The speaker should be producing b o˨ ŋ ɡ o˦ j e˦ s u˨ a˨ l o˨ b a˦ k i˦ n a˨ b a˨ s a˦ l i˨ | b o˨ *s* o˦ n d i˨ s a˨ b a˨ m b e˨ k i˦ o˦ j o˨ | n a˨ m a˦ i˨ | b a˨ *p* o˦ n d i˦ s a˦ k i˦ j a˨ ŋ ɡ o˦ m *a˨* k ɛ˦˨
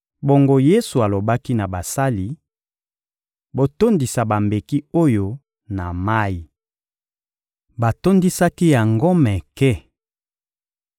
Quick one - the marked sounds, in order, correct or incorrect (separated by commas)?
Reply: incorrect, incorrect, incorrect